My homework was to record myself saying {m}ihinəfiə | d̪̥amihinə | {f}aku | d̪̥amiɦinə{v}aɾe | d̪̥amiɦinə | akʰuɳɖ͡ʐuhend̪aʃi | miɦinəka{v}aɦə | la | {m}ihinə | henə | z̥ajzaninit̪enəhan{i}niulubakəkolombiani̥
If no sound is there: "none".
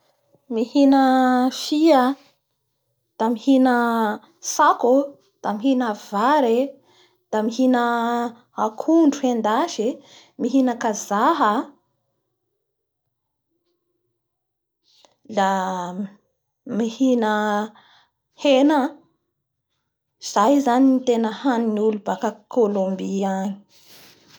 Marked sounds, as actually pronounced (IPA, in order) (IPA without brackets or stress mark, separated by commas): m, s, v, z, m, i